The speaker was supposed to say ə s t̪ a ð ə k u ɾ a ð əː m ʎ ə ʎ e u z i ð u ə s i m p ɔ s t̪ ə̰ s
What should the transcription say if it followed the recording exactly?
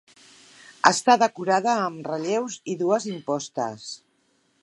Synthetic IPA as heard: ə s t̪ a ð ə k u ɾ a ð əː m r ə ʎ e w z i ð u ə z i m p ɔ s t̪ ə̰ s